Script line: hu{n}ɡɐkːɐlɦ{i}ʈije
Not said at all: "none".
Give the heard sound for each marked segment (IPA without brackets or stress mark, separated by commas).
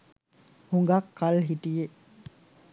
ŋ, i